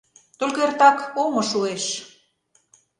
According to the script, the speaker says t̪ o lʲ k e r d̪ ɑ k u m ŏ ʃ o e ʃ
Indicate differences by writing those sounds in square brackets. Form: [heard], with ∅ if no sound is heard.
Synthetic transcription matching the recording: t̪ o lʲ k e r [t̪] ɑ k [o] m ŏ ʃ [u] e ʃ

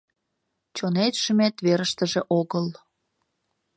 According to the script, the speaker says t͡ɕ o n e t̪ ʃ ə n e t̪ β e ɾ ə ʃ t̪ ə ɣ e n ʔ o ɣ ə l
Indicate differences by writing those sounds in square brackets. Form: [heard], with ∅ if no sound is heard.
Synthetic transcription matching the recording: t͡ɕ o n e t̪ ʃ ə [m] e t̪ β e ɾ ə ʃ t̪ ə [ʒ] e [∅] ʔ o ɣ ə l

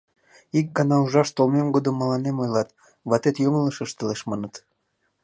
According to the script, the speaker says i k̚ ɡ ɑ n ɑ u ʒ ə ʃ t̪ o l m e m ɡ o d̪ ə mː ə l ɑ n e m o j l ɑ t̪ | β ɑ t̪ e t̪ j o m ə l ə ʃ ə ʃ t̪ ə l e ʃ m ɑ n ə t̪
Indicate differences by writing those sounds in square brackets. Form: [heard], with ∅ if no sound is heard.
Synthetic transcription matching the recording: i k̚ ɡ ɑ n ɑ u ʒ [ɑ] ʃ t̪ o l m e m ɡ o d̪ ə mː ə l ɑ n e m o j l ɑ t̪ | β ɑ t̪ e t̪ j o m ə l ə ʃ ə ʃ t̪ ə l e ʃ m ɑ n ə t̪

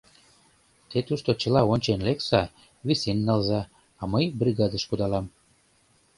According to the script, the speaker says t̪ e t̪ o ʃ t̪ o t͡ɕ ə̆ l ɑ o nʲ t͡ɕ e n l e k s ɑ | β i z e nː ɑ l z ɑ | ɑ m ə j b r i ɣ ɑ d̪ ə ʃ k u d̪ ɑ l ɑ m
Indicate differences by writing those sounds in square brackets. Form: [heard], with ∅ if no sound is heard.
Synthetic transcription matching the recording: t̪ e t̪ [u] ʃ t̪ o t͡ɕ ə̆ l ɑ o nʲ t͡ɕ e n l e k s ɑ | β i [s] e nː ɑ l z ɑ | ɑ m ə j b r i ɣ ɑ d̪ ə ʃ k u d̪ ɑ l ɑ m

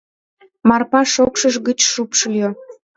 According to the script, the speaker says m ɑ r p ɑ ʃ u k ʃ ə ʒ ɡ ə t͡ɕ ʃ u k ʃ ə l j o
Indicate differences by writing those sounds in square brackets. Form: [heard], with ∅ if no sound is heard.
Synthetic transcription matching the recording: m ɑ r p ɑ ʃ [o] k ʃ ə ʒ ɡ ə t͡ɕ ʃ u [p] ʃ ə l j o

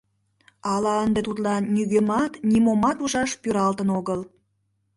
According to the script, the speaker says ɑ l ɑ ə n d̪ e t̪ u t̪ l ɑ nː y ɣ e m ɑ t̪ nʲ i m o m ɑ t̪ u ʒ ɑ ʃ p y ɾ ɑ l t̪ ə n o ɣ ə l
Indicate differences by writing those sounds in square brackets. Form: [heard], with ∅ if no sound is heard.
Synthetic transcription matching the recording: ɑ l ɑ ə n d̪ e t̪ u t̪ l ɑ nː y ɣ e m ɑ t̪ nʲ i m o m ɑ t̪ u ʒ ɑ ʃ p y ɾ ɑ l t̪ ə n o ɣ ə l

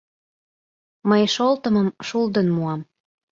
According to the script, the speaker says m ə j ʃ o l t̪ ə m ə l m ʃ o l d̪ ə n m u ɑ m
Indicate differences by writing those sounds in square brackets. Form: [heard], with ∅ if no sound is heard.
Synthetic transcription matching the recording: m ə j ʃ o l t̪ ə m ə [∅] m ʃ [u] l d̪ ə n m u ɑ m

